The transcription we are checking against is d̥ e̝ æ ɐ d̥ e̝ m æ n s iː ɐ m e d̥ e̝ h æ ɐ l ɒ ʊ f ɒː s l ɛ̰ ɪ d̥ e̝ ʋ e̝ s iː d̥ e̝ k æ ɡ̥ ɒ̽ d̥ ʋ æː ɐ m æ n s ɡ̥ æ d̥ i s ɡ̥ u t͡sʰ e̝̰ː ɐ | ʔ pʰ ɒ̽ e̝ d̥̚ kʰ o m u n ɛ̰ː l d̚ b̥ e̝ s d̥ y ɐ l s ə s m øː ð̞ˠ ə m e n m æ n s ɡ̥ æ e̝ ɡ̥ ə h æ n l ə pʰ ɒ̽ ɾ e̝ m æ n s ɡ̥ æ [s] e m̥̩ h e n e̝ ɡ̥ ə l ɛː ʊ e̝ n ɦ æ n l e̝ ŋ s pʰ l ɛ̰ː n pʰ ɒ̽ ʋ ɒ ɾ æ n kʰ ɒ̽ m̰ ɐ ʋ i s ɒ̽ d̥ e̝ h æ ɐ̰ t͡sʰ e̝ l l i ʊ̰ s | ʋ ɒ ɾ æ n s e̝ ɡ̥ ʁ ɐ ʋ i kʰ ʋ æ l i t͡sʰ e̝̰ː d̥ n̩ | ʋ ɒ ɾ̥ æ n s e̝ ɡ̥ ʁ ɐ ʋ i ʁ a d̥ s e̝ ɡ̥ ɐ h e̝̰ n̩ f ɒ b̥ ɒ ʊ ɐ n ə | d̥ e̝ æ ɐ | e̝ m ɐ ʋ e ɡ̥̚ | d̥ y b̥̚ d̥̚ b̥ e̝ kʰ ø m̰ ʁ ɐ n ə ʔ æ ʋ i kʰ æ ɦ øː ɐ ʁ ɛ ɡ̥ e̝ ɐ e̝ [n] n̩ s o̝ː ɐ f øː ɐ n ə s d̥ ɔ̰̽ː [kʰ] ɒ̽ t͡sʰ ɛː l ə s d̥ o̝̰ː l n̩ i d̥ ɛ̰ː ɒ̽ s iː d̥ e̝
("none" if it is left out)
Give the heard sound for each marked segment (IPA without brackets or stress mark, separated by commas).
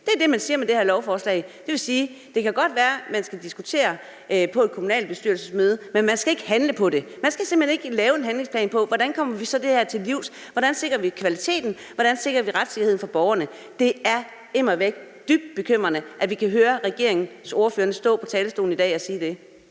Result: s, ŋ, pʰ